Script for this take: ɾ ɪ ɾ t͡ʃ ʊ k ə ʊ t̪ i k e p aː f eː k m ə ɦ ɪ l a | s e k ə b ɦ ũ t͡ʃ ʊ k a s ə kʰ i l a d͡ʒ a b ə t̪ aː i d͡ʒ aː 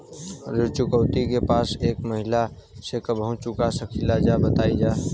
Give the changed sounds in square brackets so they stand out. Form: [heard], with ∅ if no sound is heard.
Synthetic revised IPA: ɾ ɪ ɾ t͡ʃ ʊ k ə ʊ t̪ i k e p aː [s] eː k m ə ɦ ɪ l a | s e k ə b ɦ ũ t͡ʃ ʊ k a s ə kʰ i l a d͡ʒ a b ə t̪ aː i d͡ʒ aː